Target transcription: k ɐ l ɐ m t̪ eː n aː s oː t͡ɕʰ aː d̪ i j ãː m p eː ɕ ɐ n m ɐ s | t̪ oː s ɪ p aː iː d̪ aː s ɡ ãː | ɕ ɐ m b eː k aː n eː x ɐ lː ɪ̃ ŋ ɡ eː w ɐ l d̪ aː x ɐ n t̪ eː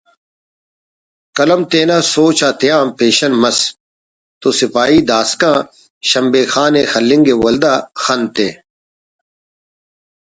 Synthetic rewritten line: k ɐ l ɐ m t̪ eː n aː s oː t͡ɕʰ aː t̪ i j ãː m p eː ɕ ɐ n m ɐ s | t̪ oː s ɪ p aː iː d̪ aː s k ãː | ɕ ɐ m b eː x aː n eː x ɐ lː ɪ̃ ŋ ɡ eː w ɐ l d̪ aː x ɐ n t̪ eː